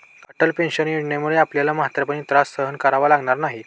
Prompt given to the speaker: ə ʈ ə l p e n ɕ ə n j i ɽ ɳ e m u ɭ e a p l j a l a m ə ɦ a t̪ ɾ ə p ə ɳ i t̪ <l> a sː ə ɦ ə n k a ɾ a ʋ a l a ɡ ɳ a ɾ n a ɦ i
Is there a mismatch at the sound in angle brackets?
yes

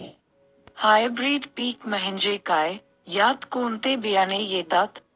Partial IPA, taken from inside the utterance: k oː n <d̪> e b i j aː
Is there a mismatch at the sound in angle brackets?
yes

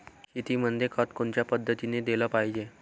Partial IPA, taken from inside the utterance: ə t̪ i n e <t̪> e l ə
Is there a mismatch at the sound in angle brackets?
yes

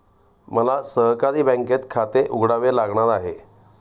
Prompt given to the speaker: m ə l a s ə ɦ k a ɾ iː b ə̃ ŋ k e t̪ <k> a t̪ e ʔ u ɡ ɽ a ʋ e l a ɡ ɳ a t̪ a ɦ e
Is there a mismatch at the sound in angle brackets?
yes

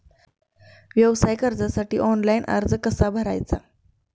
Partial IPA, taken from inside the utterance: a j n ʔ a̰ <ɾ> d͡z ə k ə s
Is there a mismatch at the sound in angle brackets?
no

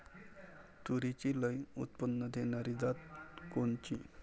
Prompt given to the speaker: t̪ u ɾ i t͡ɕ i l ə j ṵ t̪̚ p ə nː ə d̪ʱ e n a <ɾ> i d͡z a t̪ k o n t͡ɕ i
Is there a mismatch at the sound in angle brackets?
no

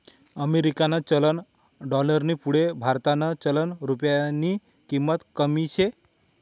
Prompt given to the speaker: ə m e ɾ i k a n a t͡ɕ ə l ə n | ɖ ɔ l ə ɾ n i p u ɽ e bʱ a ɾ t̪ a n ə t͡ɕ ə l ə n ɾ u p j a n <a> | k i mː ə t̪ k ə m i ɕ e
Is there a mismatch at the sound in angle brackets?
yes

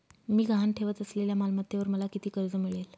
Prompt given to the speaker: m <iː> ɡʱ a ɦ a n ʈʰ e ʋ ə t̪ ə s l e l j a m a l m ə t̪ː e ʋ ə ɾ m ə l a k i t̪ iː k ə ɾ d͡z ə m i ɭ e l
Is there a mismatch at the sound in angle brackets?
no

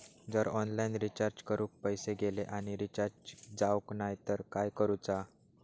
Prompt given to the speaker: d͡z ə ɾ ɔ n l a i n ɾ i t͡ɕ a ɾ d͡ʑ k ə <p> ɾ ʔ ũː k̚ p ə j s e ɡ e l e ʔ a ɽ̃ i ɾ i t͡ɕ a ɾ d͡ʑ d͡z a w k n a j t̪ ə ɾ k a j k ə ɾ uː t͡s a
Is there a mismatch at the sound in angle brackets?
yes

